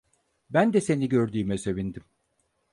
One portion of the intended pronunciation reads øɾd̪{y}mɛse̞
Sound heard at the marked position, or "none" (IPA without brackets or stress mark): yː